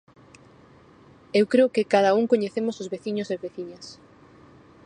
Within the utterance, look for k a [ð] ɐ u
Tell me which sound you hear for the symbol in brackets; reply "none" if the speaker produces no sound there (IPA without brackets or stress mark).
ð